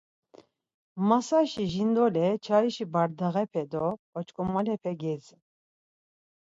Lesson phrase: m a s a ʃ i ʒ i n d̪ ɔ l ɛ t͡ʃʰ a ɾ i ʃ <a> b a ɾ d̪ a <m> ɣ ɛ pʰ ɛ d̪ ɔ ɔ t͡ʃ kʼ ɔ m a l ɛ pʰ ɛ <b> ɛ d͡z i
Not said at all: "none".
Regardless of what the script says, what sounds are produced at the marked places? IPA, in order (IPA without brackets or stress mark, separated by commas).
i, none, ɡ